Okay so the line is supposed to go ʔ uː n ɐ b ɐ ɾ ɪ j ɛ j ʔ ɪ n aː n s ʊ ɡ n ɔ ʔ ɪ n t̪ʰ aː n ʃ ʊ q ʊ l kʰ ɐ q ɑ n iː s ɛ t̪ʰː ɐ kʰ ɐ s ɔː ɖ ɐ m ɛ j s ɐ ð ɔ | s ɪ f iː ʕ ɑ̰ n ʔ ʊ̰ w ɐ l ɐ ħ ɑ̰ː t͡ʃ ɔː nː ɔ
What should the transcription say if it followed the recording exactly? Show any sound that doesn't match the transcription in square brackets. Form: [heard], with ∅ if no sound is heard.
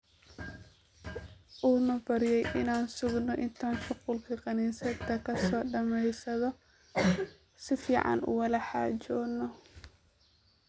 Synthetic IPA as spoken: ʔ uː n ɐ b ɐ ɾ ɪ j ɛ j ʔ ɪ n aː n s ʊ ɡ n ɔ ʔ ɪ n t̪ʰ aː n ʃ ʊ q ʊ l kʰ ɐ q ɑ n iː s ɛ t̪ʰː ɐ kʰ ɐ s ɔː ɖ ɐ m ɛ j s ɐ ð ɔ | s ɪ f iː ʕ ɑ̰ n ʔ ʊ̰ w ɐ l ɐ ħ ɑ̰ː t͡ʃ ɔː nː ɔ